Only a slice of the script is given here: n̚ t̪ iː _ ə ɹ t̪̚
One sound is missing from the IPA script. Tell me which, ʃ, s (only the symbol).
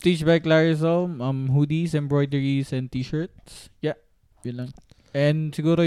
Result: ʃ